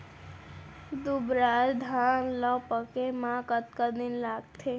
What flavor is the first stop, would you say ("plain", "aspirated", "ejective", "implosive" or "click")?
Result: plain